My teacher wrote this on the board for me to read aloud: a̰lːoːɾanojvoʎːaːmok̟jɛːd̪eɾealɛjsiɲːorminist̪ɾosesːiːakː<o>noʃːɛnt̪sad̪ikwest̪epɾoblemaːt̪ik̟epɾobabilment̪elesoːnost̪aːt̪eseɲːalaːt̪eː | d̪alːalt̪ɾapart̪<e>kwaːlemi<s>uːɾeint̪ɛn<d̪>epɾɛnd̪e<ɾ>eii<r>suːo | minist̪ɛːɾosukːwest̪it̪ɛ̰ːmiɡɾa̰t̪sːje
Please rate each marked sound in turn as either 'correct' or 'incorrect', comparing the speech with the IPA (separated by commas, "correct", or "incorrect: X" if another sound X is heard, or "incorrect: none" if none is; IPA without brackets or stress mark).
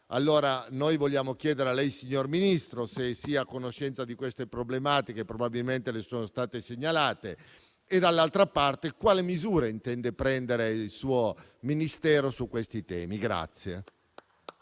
correct, correct, incorrect: z, correct, correct, incorrect: l